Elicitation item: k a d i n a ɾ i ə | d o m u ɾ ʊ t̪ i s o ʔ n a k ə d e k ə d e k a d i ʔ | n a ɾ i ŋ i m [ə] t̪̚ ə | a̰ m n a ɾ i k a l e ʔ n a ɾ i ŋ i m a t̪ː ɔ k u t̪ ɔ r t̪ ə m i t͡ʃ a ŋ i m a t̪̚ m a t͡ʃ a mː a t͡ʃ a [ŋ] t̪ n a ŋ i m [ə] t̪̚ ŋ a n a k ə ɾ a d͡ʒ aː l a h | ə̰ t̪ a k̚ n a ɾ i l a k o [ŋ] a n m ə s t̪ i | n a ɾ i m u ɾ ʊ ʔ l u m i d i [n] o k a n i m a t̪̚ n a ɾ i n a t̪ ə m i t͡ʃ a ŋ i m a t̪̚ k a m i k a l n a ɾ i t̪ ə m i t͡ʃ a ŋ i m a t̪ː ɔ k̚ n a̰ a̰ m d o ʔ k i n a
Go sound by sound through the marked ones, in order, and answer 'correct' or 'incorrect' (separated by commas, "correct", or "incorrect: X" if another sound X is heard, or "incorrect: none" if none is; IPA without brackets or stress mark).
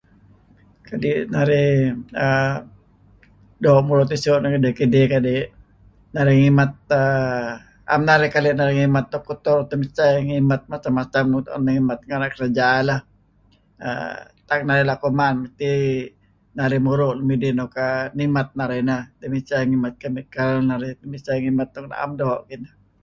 incorrect: a, incorrect: m, incorrect: a, incorrect: m, correct